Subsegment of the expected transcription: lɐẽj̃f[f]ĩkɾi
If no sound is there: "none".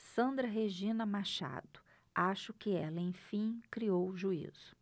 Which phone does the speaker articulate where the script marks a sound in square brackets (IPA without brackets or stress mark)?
f